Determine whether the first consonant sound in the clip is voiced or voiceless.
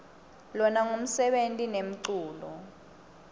voiced